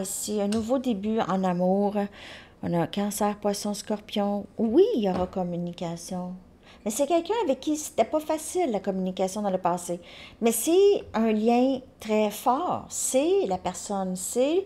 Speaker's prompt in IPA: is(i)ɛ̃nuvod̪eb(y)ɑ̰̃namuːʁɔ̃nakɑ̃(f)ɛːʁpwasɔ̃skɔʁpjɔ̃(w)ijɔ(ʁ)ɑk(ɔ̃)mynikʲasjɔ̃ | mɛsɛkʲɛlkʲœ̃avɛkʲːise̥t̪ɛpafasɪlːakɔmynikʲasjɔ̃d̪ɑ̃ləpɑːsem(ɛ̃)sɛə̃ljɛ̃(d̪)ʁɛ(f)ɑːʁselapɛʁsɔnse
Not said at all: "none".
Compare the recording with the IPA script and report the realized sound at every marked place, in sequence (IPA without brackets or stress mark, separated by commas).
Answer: i, y, s, w, ʁ, ɔ, ɛ, t̪, f